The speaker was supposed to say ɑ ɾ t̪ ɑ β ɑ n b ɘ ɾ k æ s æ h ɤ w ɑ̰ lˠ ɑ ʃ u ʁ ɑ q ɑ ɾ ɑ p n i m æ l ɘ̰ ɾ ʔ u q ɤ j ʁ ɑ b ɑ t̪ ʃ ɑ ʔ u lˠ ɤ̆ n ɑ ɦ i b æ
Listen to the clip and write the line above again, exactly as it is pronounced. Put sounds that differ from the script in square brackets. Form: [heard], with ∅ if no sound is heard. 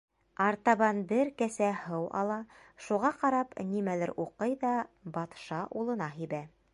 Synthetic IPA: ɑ ɾ t̪ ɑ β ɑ n b ɘ ɾ k æ s æ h ɤ w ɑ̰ lˠ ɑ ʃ u ʁ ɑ q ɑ ɾ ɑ p n i m æ l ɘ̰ ɾ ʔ u q ɤ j [ð] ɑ b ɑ t̪ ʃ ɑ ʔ u lˠ ɤ̆ n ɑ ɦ i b æ